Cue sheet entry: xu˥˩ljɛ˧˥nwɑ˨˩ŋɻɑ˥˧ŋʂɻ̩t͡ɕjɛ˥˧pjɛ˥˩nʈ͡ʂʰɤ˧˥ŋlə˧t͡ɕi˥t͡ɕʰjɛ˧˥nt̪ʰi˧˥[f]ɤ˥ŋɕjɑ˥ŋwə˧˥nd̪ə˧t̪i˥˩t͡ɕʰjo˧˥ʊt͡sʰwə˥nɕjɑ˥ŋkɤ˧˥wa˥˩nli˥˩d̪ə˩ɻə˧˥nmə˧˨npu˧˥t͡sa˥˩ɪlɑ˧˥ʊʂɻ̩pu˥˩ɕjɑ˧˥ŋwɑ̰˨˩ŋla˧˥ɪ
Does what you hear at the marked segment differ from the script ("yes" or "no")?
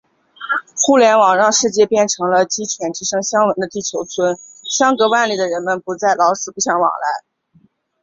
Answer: yes